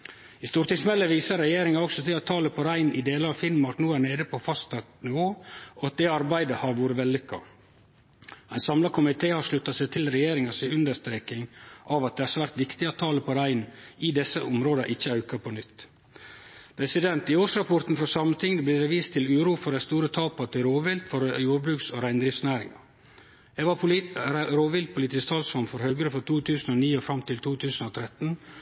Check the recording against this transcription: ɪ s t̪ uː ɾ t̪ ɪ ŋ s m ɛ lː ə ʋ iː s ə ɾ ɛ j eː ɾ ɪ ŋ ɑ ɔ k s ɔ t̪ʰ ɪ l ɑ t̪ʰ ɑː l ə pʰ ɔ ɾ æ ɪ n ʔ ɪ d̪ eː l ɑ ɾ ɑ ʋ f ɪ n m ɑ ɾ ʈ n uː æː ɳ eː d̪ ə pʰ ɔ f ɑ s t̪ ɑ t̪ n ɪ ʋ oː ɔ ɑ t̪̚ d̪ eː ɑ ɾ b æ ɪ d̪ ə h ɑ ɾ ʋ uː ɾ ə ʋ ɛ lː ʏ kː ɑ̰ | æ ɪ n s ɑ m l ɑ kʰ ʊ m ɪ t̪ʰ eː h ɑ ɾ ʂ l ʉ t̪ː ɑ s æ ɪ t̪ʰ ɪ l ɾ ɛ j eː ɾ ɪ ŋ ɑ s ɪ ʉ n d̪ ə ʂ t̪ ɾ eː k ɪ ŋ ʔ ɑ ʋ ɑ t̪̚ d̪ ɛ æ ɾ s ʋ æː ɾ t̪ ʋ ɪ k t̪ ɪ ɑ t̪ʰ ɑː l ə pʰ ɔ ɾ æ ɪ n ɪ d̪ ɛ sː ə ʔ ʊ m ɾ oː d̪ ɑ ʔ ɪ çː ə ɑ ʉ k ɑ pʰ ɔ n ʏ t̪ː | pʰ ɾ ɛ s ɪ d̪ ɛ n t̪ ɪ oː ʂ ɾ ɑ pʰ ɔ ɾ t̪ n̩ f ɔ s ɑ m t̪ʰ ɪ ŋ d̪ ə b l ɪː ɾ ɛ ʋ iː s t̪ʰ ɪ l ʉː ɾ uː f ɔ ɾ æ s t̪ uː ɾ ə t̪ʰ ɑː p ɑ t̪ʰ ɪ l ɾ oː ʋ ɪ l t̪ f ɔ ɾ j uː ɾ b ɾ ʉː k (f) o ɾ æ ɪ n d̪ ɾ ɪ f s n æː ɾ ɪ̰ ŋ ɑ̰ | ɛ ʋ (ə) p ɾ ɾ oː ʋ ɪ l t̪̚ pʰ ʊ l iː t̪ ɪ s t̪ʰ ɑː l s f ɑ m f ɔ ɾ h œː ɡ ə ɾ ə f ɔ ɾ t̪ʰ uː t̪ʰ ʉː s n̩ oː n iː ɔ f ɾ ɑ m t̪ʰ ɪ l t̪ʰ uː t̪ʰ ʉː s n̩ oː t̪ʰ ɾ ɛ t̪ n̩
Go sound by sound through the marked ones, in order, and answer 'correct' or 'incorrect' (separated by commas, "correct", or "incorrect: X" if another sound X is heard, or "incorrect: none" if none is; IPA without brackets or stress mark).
incorrect: s, incorrect: ɑ